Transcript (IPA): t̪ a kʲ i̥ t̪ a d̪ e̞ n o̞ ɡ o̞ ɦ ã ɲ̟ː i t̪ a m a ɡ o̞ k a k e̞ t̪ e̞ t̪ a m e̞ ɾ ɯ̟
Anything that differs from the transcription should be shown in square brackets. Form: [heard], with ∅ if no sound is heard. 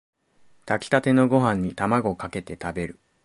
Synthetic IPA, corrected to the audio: t̪ a kʲ i̥ t̪ a [t̪] e̞ n o̞ ɡ o̞ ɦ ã ɲ̟ː i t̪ a m a ɡ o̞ k a k e̞ t̪ e̞ t̪ a [b] e̞ ɾ ɯ̟